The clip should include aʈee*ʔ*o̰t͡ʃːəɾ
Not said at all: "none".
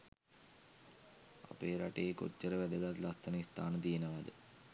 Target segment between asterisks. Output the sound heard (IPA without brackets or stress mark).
k